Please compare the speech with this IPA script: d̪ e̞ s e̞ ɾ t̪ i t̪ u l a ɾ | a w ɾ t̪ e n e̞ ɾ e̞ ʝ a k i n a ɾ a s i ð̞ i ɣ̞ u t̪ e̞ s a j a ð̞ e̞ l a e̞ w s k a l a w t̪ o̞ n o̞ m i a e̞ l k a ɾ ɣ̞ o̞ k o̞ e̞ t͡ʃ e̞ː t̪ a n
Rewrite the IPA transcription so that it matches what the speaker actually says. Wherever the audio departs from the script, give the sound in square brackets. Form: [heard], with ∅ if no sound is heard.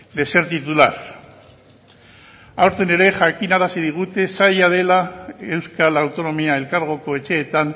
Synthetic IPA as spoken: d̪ e̞ s e̞ ɾ t̪ i t̪ u l a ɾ | a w ɾ t̪ e n e̞ ɾ e̞ ʝ a k i n a ɾ a s i ð̞ i ɣ̞ u t̪ e̞ s a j a ð̞ e̞ l a e̞ w s k a l a w t̪ o̞ n o̞ m i a e̞ l k a ɾ ɣ̞ o̞ k o̞ e̞ t͡ʃ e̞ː t̪ a n